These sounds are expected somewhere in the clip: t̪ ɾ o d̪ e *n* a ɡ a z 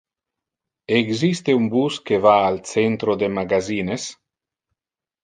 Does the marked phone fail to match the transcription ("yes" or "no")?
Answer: yes